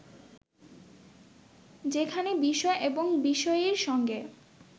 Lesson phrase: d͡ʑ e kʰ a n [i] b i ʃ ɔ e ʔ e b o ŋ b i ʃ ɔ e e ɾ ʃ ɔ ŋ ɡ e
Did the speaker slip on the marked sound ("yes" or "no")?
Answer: yes